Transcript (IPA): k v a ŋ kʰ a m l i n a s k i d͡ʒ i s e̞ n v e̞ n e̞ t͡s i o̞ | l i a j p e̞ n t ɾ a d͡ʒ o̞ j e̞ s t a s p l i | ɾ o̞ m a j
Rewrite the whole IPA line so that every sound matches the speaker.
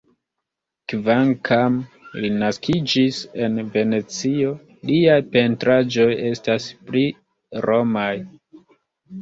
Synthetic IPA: k v a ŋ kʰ a m l i n a s k i d͡ʒ i s e̞ n v e̞ n e̞ t͡s i o̞ | l i a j p e̞ n t ɾ a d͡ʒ o̞ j e̞ s t a s p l i | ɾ o̞ m a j